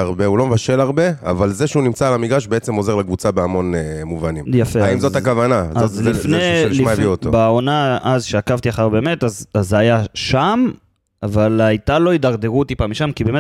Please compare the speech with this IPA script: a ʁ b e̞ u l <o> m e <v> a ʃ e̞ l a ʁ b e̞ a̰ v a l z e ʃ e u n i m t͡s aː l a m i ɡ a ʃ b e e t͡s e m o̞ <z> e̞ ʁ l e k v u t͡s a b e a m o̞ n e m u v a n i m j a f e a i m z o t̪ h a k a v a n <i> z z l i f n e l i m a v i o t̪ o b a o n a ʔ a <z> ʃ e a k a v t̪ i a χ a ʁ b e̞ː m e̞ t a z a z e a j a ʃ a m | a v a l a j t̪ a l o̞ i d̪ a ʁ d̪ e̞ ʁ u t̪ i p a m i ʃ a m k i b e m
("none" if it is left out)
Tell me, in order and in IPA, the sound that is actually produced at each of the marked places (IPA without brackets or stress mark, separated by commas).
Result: o, v, z, a, z